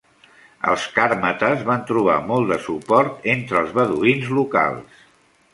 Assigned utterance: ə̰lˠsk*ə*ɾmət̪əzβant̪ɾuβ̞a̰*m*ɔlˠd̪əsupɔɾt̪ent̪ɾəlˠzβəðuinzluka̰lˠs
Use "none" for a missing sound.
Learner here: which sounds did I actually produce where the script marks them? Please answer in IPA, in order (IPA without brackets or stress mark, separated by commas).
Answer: a, m